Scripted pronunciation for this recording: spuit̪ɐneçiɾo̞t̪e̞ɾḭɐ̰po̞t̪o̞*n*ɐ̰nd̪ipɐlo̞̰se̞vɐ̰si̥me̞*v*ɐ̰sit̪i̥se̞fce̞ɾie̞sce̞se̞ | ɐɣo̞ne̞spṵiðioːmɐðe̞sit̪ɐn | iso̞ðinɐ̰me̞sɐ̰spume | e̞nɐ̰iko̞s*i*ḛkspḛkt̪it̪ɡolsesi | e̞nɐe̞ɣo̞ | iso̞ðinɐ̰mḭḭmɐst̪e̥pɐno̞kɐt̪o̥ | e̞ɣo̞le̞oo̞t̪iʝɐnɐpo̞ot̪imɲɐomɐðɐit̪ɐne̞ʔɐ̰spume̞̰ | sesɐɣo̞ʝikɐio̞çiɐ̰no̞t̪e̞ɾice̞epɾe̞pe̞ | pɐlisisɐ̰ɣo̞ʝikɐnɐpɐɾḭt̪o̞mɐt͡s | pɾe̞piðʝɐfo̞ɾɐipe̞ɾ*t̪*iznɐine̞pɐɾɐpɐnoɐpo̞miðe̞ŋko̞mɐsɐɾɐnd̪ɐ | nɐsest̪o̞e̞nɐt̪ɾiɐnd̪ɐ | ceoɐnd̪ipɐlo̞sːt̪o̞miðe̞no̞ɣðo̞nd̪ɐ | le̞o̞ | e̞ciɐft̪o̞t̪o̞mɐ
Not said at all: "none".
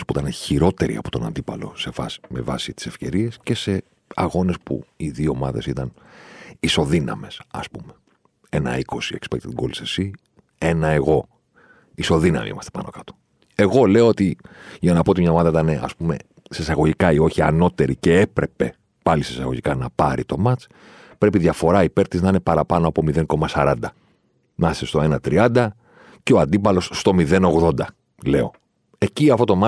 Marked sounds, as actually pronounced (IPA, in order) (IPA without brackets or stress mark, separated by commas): n, v, i, t̪